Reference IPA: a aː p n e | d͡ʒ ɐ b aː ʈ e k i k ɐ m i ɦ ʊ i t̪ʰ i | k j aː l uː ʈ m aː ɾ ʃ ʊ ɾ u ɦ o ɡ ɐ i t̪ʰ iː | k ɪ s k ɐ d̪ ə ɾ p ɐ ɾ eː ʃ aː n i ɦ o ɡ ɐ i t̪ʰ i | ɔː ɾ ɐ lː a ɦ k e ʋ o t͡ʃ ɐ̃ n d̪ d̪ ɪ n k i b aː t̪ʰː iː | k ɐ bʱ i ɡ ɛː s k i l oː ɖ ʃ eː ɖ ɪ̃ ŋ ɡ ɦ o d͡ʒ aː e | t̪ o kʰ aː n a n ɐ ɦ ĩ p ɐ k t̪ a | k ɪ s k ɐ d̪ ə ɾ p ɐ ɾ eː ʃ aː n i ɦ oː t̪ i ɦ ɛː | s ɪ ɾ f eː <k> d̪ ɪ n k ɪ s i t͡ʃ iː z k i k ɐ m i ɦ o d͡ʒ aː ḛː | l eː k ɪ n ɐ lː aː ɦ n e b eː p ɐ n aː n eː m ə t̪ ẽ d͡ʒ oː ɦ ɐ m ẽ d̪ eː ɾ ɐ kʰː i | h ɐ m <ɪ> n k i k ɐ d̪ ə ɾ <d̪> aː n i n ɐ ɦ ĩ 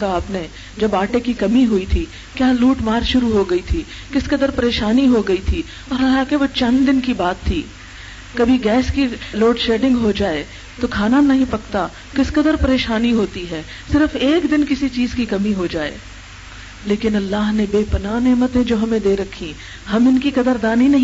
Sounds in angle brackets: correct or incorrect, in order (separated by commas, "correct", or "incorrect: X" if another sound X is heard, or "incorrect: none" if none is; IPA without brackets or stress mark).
correct, correct, correct